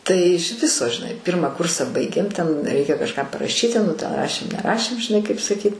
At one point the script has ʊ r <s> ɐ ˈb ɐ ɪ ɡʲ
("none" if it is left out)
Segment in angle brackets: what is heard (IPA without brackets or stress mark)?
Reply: s